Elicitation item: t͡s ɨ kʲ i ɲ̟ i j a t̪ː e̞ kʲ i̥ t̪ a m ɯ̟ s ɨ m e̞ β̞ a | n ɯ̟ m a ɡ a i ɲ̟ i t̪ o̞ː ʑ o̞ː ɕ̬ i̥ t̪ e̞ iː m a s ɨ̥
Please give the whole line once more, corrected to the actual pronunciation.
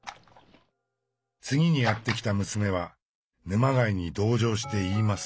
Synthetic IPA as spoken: t͡s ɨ ɡʲ i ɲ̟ i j a t̪ː e̞ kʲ i̥ t̪ a m ɯ̟ s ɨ m e̞ β̞ a | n ɯ̟ m a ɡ a i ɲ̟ i d̪ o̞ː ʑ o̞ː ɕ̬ i̥ t̪ e̞ iː m a s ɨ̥